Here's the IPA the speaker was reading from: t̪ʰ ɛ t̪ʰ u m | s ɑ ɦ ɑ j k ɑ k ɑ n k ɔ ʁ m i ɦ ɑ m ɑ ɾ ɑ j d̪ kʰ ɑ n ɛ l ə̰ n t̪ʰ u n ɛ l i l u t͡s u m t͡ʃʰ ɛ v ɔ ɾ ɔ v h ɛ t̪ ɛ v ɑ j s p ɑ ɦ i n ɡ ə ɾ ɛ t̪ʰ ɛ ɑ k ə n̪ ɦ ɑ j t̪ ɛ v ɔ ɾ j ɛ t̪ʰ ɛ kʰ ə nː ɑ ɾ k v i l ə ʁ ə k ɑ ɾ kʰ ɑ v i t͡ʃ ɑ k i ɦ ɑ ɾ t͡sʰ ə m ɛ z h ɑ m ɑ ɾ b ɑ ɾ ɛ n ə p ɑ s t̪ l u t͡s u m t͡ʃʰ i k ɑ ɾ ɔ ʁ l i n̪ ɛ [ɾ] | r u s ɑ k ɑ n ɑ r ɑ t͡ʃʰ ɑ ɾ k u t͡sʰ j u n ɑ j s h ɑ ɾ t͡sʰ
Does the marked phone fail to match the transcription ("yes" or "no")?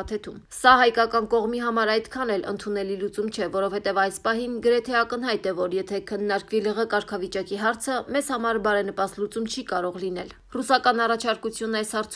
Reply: yes